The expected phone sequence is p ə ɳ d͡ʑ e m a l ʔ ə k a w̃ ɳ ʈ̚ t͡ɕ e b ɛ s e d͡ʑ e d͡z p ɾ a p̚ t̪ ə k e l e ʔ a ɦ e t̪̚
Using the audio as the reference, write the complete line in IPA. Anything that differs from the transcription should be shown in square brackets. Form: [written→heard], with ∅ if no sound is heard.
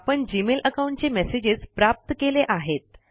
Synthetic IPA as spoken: p ə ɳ d͡ʑ [e→i] m [a→e] l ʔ ə k a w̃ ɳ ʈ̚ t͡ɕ e [b→m] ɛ s e d͡ʑ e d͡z p ɾ a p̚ t̪ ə k e l e ʔ a ɦ e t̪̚